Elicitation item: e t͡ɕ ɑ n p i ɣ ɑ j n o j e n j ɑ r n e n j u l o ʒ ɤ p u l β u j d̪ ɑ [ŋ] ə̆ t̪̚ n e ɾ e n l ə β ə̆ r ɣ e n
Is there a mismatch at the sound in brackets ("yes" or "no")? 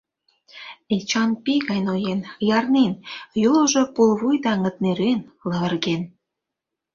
no